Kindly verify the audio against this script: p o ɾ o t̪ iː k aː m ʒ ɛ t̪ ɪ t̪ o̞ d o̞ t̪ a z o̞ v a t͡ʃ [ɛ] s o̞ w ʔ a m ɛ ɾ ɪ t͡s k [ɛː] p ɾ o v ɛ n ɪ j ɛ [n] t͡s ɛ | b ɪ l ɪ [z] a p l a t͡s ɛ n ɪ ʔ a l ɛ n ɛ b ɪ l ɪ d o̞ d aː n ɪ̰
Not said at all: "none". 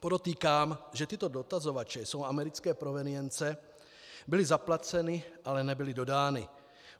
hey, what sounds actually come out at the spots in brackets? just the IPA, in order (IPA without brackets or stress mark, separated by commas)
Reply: ɛ, ɛː, n, z